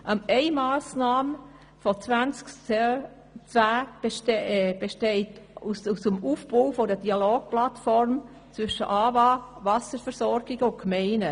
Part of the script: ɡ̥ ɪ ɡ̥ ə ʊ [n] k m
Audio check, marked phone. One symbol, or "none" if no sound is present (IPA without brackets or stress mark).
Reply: n